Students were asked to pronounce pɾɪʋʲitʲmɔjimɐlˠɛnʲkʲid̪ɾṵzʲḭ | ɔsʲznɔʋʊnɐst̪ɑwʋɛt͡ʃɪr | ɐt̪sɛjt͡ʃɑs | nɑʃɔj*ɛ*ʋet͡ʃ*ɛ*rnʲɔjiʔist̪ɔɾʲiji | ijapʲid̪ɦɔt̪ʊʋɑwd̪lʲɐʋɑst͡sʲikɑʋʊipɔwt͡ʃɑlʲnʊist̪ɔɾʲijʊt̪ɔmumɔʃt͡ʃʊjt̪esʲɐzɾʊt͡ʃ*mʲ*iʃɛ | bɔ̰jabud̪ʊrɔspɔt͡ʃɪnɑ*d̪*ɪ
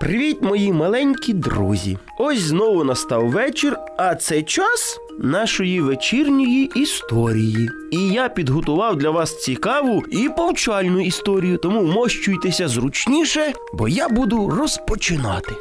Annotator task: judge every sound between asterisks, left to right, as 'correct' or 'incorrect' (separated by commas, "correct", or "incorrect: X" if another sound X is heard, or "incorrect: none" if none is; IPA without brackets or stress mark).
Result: incorrect: i, incorrect: i, incorrect: nʲ, incorrect: t̪